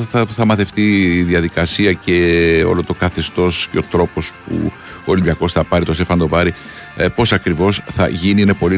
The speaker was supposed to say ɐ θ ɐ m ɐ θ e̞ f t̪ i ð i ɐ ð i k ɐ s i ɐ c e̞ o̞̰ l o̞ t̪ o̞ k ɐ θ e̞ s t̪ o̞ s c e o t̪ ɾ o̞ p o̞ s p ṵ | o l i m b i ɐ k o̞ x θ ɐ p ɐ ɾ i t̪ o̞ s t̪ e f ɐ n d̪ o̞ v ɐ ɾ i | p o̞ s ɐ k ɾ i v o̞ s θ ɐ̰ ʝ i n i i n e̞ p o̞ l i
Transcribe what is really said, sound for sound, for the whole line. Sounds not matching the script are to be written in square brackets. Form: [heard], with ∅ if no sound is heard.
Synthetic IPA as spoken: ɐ θ ɐ m ɐ θ e̞ f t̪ i ð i ɐ ð i k ɐ s i ɐ c e̞ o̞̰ l o̞ t̪ o̞ k ɐ θ e̞ s t̪ o̞ s c e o t̪ ɾ o̞ p o̞ s p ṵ | o l i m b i ɐ k o̞ [s] θ ɐ p ɐ ɾ i t̪ o̞ s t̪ e f ɐ n d̪ o̞ v ɐ ɾ i | p o̞ s ɐ k ɾ i v o̞ s θ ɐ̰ ʝ i n i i n e̞ p o̞ l i